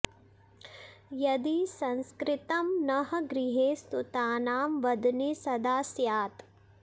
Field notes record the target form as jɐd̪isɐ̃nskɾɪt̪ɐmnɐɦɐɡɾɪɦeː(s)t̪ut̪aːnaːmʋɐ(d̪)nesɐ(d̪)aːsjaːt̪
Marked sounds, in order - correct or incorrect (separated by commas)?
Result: correct, correct, correct